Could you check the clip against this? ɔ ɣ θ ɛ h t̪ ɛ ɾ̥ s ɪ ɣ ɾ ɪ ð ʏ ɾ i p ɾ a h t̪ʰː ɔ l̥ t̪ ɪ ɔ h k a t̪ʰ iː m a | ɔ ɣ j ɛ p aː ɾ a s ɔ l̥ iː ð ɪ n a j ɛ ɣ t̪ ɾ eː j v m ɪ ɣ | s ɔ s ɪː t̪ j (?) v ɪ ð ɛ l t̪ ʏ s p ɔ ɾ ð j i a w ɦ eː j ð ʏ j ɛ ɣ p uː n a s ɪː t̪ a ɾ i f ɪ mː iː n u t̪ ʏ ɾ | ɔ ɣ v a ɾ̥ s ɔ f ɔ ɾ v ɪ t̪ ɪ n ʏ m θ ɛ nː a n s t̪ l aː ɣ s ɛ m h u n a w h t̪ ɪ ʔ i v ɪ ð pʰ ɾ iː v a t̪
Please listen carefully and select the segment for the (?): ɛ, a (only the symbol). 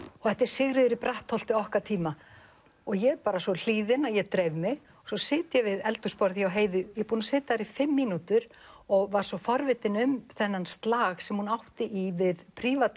ɛ